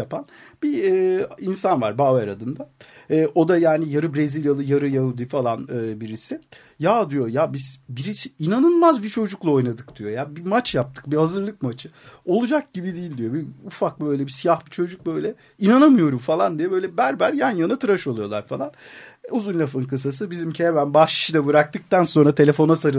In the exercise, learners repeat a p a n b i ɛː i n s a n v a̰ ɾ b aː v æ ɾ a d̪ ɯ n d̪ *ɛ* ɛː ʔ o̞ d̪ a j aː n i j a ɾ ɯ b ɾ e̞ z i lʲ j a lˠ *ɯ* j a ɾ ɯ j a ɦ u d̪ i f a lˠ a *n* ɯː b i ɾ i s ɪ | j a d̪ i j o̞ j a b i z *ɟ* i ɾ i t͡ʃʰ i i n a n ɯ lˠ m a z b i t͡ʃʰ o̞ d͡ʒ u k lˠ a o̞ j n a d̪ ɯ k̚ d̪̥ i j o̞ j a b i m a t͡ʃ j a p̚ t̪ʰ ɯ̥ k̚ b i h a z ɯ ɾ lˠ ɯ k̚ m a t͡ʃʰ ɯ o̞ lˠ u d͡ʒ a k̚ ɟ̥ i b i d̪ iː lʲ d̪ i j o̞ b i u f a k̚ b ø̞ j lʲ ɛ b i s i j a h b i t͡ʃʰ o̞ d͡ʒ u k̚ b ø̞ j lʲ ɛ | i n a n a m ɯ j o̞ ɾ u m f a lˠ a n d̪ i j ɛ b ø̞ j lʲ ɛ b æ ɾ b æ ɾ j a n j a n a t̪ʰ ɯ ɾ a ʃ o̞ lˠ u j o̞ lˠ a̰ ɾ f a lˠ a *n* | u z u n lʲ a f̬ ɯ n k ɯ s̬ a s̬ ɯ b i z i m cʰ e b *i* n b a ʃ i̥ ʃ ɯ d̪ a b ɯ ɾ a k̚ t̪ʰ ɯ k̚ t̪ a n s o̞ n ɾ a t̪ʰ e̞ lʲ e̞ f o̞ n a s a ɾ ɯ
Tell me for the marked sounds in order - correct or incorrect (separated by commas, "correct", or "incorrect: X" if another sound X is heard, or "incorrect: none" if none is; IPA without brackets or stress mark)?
incorrect: a, correct, correct, incorrect: b, correct, incorrect: æ